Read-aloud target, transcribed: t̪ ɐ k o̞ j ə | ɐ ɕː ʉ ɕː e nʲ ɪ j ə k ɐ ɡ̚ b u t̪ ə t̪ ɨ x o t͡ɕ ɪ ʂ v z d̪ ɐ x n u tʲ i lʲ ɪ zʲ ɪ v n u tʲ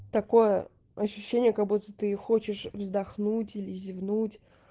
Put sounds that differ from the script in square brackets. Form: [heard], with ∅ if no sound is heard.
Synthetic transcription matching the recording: t̪ ɐ k o̞ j ə | ɐ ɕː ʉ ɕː e nʲ ɪ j ə k ɐ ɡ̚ b u t̪ ə t̪ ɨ x o t͡ɕ ɪ ʂ v z d̪ ɐ x n u tʲ i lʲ ɪ zʲ ɪ v n u tʲ